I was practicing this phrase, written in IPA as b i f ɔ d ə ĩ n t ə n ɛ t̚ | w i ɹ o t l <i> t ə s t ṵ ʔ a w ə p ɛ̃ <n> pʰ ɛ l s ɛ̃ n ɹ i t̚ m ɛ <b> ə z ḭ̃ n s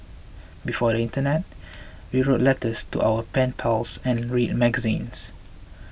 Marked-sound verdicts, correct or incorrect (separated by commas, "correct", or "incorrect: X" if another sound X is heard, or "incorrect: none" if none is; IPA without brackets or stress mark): incorrect: ɛ, correct, incorrect: ɡ